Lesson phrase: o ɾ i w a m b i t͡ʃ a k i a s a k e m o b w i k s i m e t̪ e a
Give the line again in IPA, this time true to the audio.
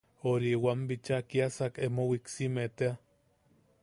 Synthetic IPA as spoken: o ɾ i w a m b i t͡ʃ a k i a s a k e m o w i k s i m e t̪ e a